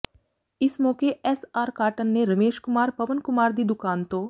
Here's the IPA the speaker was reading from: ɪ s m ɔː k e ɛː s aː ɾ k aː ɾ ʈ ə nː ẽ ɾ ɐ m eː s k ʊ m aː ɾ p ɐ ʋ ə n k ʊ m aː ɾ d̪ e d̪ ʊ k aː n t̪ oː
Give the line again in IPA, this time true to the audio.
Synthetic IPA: ɪ s m ɔː k e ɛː s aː ɾ k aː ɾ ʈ ə nː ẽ ɾ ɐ m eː ʃ k ʊ m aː ɾ p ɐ ʋ ə n k ʊ m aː ɾ d̪ i d̪ ʊ k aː n t̪ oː